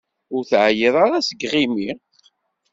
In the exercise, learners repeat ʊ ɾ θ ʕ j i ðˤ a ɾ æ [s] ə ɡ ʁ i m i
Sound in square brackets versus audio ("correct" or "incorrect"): correct